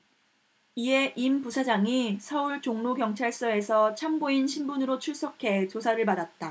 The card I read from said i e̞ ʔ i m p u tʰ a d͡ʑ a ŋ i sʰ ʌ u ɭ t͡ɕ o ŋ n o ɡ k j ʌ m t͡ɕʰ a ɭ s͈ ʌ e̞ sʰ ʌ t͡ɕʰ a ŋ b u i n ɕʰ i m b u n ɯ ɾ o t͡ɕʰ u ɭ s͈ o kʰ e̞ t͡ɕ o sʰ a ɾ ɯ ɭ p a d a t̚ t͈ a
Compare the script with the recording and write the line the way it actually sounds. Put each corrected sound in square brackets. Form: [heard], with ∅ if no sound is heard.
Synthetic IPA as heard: i e̞ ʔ i m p u [sʰ] a d͡ʑ a ŋ i sʰ ʌ u ɭ t͡ɕ o ŋ n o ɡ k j ʌ [ŋ] t͡ɕʰ a ɭ s͈ ʌ e̞ sʰ ʌ t͡ɕʰ a [m] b [o] i n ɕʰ i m b u n ɯ ɾ o t͡ɕʰ u ɭ s͈ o kʰ e̞ t͡ɕ o sʰ a ɾ ɯ ɭ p a d a t̚ t͈ a